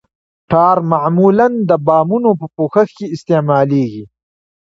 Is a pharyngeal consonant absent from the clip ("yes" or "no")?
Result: no